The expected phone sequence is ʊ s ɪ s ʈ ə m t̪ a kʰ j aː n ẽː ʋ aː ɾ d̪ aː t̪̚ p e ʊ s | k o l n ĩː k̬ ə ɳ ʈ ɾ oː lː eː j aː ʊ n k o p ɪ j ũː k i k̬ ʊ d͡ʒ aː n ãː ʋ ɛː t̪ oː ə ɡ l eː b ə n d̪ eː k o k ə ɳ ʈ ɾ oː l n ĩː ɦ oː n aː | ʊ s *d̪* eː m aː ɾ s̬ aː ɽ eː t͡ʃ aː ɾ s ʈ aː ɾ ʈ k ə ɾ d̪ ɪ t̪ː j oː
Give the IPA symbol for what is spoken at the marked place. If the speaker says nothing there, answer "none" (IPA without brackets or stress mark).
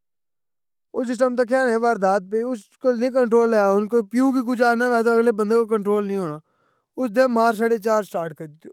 d̪